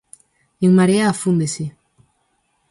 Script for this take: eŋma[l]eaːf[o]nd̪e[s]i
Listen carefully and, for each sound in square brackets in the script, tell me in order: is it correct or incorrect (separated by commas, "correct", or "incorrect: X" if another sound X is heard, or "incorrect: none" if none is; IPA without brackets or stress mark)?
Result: incorrect: ɾ, incorrect: u, correct